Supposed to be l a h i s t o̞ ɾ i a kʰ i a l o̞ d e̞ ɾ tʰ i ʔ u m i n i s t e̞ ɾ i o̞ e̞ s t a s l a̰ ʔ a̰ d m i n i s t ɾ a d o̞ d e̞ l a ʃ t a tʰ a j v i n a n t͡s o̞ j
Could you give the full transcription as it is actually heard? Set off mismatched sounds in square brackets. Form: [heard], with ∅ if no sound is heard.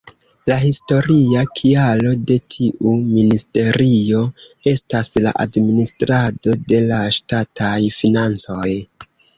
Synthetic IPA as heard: l a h i s t o̞ ɾ i a kʰ i a l o̞ d e̞ [∅] tʰ i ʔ u m i n i s t e̞ ɾ i o̞ e̞ s t a s l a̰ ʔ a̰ d m i n i s t ɾ a d o̞ d e̞ l a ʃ t a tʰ a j [f] i n a n t͡s o̞ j